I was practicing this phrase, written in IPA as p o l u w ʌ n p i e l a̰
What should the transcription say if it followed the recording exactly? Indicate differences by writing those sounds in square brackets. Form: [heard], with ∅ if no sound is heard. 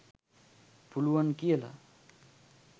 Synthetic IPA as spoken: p [u] l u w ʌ n [k] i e l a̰